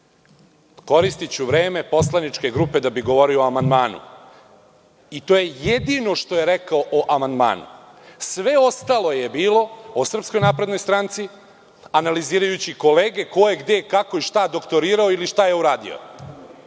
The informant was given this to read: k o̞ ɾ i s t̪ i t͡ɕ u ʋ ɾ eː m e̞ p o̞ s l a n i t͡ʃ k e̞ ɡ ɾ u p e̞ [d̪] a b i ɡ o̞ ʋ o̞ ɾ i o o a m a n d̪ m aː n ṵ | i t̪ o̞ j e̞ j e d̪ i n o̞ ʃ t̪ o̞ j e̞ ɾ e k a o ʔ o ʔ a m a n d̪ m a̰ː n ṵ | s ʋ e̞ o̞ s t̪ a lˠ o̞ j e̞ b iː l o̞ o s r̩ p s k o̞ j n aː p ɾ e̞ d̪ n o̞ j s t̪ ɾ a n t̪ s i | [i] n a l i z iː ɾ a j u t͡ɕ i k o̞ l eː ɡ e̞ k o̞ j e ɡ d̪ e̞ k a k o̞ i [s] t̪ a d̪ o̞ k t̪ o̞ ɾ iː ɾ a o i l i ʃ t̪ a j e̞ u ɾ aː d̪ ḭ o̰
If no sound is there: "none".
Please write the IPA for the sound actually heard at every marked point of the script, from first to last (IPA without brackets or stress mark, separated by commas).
d̪, a, ʃ